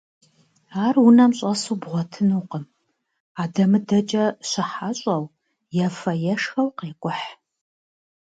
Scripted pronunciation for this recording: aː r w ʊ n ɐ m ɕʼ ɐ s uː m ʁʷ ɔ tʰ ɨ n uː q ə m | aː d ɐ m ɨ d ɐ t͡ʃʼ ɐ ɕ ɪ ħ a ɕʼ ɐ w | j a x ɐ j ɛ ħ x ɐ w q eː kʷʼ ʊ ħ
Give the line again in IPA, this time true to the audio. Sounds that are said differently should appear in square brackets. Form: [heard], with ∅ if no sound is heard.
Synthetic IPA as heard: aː r w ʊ n ɐ m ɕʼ ɐ s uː [b] ʁʷ ɔ tʰ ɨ n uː q ə m | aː d ɐ m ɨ d ɐ t͡ʃʼ ɐ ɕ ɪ ħ a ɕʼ ɐ w | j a [f] ɐ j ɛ [ʂ] x ɐ w q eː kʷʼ ʊ ħ